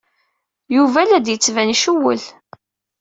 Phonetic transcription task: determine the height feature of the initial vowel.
high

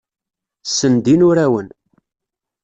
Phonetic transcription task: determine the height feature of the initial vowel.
mid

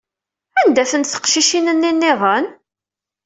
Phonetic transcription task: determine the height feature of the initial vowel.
low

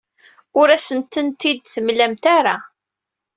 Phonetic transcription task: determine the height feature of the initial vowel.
high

